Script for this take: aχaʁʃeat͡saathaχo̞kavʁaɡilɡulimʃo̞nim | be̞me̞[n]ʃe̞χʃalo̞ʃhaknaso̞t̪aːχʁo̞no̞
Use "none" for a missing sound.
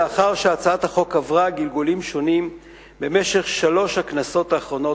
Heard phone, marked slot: none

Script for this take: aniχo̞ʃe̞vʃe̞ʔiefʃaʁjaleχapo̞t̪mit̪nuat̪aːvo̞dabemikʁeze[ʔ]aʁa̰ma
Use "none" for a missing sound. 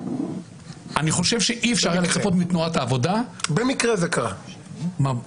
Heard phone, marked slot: k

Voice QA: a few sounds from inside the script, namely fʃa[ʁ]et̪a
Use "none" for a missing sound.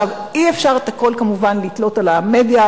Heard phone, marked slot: ʁ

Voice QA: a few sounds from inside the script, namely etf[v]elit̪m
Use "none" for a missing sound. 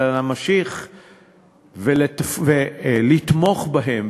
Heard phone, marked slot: v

